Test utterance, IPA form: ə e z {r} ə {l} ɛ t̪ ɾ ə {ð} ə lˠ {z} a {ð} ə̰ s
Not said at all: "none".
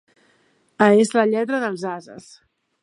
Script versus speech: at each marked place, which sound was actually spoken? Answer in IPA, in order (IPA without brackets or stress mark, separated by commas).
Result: l, ʎ, ð, z, z